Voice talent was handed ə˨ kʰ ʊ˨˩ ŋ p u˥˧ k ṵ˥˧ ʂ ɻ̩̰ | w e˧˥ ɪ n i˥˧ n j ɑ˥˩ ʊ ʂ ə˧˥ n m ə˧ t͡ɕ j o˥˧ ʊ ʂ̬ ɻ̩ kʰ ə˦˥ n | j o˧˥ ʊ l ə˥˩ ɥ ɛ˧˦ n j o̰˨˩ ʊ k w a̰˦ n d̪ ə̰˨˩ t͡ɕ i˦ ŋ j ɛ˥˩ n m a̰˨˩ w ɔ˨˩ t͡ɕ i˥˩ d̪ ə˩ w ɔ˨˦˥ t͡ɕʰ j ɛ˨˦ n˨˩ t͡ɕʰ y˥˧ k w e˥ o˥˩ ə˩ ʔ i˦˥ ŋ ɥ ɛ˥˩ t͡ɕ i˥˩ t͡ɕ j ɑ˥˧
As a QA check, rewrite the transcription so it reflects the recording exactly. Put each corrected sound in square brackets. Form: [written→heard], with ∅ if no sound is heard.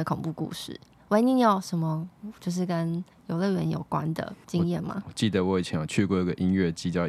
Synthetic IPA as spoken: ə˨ kʰ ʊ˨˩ ŋ p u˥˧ k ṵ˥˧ ʂ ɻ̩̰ | w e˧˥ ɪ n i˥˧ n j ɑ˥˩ ʊ ʂ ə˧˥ n m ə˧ t͡ɕ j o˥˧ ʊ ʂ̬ ɻ̩ [kʰ→k] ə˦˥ n | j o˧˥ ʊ l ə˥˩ ɥ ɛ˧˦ n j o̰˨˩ ʊ k w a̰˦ n d̪ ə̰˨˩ t͡ɕ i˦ ŋ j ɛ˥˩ n m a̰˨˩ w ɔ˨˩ t͡ɕ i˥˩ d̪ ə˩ w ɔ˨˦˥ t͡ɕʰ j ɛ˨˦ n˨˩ t͡ɕʰ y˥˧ k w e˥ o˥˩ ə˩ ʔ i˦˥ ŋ ɥ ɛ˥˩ t͡ɕ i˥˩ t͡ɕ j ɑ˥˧